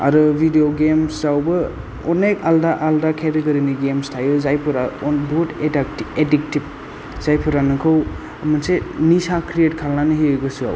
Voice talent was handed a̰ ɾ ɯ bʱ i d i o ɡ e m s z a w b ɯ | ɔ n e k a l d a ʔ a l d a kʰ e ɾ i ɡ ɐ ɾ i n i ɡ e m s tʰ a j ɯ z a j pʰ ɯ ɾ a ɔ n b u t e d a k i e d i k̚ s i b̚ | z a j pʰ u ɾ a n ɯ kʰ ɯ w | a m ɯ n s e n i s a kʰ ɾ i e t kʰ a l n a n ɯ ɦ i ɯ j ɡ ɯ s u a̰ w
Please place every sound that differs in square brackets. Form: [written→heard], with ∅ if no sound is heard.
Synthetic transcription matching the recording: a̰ ɾ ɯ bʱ i d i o ɡ e m s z a w b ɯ | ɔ n e k a l d a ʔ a l d a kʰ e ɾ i ɡ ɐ ɾ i n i ɡ e m s tʰ a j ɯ z a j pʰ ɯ ɾ a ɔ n b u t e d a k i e d i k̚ [s→t] i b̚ | z a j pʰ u ɾ a n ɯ kʰ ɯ w | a m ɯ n s e n i s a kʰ ɾ i e t kʰ a l n a n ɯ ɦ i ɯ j ɡ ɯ s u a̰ w